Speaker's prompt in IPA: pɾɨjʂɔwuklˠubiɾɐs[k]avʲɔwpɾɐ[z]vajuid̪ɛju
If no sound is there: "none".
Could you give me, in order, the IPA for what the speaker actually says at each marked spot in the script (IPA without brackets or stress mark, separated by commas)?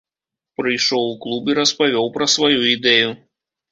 p, s